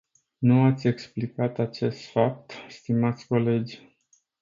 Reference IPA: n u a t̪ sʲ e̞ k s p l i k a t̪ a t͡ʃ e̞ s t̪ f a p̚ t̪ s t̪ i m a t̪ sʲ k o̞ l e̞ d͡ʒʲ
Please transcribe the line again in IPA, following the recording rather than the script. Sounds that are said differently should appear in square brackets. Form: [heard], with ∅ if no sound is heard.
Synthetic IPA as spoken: n u a t̪ sʲ e̞ k s p l i k a t̪ a t͡ʃ e̞ s t̪ f a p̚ t̪ s t̪ i m a t̪ sʲ k o̞ l e̞ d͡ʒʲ

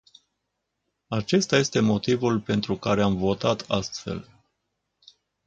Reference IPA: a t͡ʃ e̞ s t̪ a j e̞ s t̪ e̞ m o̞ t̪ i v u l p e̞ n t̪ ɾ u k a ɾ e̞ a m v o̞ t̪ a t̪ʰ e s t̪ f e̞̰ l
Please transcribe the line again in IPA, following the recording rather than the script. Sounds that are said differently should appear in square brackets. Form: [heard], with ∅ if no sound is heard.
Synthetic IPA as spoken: a t͡ʃ e̞ s t̪ a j e̞ s t̪ e̞ m o̞ t̪ i v u l p e̞ n t̪ ɾ u k a ɾ e̞ a m v o̞ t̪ a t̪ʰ [a] s t̪ f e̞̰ l

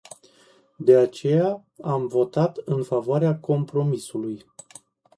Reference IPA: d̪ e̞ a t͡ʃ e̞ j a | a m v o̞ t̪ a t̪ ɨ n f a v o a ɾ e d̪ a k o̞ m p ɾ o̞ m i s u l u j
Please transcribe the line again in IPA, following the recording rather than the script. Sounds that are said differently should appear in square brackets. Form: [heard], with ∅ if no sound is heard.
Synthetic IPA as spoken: d̪ e̞ a t͡ʃ e̞ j a | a m v o̞ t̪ a t̪ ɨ n f a v o a ɾ e [∅] a k o̞ m p ɾ o̞ m i s u l u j

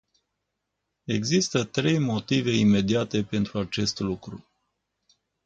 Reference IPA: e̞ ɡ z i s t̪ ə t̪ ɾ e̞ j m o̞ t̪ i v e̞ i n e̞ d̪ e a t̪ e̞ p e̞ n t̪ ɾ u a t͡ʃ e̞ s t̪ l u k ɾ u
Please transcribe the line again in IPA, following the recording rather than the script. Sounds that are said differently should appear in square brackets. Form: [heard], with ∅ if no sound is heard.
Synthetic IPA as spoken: e̞ ɡ z i s t̪ ə t̪ ɾ e̞ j m o̞ t̪ i v e̞ i [m] e̞ d̪ [i] a t̪ e̞ p e̞ n t̪ ɾ u a t͡ʃ e̞ s t̪ l u k ɾ u

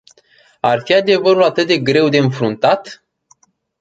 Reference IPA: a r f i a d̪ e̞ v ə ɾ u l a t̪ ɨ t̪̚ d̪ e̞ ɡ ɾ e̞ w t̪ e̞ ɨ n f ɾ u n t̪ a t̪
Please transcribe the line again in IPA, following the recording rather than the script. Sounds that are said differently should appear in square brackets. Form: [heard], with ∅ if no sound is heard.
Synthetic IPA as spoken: a r f i a d̪ e̞ v ə ɾ u l a t̪ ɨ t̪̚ d̪ e̞ ɡ ɾ e̞ w [d̪] e̞ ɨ n f ɾ u n t̪ a t̪

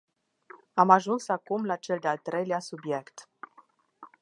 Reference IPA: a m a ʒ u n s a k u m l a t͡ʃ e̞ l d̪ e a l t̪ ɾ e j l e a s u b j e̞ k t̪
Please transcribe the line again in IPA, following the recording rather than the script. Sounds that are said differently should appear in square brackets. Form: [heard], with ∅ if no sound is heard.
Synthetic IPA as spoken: a m a ʒ u n s a k u m l a t͡ʃ e̞ l d̪ e a l t̪ ɾ e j l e a s u b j e̞ k t̪

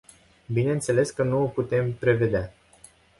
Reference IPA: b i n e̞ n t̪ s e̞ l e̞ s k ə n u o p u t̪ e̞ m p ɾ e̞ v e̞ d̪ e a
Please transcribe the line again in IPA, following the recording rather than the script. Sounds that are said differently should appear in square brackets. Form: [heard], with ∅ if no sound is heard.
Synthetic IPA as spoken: b i n e̞ n t̪ s e̞ l e̞ s k ə n u o p u t̪ e̞ m p ɾ e̞ v e̞ d̪ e a

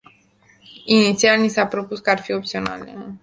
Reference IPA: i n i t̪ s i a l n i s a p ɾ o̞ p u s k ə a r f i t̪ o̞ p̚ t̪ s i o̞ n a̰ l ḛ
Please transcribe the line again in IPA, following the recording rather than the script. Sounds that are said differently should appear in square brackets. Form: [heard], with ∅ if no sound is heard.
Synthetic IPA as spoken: i n i t̪ s i a l n i s a p ɾ o̞ p u s k ə a r f i [∅] o̞ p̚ t̪ s i o̞ n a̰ l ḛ

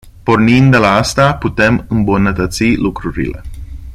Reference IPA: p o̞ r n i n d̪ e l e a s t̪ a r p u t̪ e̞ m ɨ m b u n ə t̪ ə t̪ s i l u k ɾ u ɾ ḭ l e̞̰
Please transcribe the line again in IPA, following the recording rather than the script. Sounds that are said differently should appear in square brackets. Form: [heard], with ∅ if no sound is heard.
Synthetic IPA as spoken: p o̞ r n i n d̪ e l [a] a s t̪ a [∅] p u t̪ e̞ m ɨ m b u n ə t̪ ə t̪ s i l u k ɾ u ɾ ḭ l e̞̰

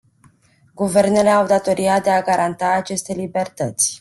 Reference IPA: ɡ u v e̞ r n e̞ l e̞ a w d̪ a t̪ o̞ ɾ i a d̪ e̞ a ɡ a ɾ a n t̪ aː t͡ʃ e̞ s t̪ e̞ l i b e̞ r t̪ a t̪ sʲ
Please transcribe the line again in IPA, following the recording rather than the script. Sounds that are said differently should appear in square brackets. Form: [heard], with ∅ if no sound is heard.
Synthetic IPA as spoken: ɡ u v e̞ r n e̞ l e̞ a w d̪ a t̪ o̞ ɾ i a d̪ e̞ a ɡ a ɾ a n t̪ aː t͡ʃ e̞ s t̪ e̞ l i b e̞ r t̪ [ə] t̪ sʲ

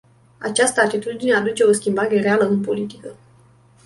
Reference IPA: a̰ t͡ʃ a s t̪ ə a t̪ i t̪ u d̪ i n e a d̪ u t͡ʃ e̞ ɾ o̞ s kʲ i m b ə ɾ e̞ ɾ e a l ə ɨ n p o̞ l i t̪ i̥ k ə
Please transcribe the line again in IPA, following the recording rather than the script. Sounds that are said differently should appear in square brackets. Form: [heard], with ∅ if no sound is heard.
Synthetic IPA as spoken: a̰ t͡ʃ a s t̪ ə a t̪ i t̪ u d̪ i n e a d̪ u t͡ʃ e̞ [∅] o̞ s kʲ i m b [a] ɾ e̞ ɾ e a l ə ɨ n p o̞ l i t̪ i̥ k ə

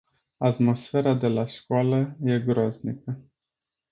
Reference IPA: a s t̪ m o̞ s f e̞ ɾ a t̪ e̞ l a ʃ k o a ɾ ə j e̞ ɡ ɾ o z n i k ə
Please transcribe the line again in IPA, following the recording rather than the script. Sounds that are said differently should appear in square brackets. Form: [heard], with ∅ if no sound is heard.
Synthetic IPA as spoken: a [∅] t̪ m o̞ s f e̞ ɾ a [d̪] e̞ l a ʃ k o a [l] ə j e̞ ɡ ɾ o z n i k ə

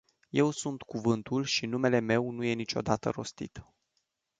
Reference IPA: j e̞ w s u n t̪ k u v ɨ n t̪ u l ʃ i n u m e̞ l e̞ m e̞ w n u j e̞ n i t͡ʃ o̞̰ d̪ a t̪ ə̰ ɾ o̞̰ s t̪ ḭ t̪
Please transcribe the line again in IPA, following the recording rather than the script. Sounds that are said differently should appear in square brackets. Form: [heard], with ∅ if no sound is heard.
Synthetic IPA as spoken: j e̞ w s u n t̪ k u v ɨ n t̪ u l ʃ i n u m e̞ l e̞ m e̞ w n u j e̞ n i t͡ʃ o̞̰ d̪ a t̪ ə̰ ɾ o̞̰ s t̪ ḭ t̪

